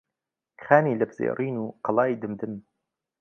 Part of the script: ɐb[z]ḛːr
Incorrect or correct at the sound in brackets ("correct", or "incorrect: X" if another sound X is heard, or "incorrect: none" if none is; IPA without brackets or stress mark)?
correct